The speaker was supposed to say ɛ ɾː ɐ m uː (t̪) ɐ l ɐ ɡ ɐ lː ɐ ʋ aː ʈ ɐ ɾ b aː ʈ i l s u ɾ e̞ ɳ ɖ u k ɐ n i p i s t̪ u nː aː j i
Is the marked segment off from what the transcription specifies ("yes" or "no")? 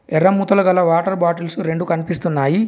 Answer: no